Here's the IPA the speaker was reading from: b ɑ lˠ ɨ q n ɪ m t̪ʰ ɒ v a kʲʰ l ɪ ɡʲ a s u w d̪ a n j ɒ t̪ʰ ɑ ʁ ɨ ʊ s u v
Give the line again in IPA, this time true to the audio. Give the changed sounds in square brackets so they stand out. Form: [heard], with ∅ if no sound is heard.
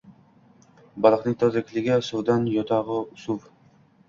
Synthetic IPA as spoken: b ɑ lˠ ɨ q n ɪ [ŋ] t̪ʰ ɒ [z] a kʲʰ l ɪ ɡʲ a s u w d̪ a n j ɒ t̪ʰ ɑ ʁ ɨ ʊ s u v